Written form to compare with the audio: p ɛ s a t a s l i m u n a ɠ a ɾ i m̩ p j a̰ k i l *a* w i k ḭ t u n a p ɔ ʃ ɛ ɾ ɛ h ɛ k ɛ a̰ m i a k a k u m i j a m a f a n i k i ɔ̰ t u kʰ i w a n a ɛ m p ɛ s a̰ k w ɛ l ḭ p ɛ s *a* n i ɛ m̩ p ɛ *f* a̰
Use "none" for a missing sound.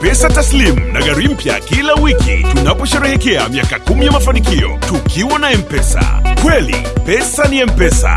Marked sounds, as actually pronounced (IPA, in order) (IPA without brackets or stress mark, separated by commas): a, a, s